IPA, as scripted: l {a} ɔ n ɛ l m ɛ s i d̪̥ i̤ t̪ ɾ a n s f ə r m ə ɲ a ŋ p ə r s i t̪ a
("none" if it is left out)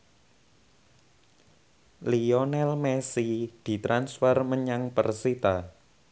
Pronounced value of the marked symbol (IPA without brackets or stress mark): i